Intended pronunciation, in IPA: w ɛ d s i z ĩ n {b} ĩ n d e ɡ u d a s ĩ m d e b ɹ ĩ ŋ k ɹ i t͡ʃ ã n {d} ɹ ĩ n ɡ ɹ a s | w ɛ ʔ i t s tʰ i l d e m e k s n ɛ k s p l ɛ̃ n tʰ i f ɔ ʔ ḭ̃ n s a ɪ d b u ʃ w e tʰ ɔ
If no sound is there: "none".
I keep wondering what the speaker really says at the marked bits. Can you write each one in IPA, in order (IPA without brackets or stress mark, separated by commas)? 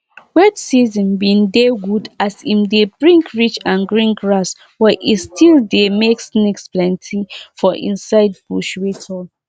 b, ɡ